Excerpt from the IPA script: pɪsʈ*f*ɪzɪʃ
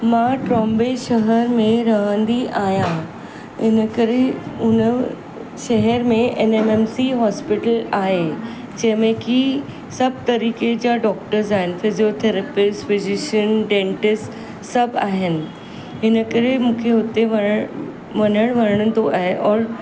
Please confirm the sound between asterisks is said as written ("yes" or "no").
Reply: yes